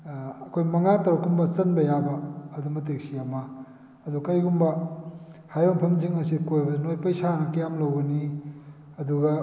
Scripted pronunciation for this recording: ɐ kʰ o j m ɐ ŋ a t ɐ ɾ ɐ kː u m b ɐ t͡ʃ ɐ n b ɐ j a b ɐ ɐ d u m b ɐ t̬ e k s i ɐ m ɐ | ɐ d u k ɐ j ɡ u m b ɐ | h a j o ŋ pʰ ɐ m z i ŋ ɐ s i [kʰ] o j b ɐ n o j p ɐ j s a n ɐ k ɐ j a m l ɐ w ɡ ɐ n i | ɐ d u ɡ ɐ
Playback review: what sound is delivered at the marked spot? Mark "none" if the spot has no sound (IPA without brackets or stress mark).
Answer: k